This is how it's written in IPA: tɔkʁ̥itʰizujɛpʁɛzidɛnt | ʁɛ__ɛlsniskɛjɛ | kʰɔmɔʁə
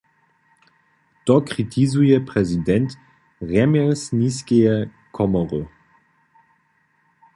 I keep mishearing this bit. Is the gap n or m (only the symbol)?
m